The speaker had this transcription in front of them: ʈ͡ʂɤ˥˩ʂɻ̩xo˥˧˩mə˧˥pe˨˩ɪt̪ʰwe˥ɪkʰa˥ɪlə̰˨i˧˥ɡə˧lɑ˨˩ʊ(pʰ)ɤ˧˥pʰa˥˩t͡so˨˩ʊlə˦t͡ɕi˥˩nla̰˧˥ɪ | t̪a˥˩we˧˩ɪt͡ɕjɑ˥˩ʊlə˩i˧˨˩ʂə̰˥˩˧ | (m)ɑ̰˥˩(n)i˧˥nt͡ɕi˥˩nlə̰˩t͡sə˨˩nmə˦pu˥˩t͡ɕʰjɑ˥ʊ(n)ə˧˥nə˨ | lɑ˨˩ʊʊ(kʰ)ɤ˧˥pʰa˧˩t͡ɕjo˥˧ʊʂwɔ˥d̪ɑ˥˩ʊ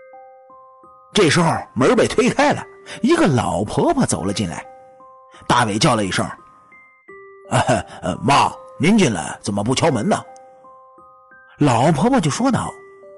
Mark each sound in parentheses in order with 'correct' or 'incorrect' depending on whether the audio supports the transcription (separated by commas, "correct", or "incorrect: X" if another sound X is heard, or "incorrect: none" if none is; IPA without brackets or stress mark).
correct, correct, correct, incorrect: m, incorrect: pʰ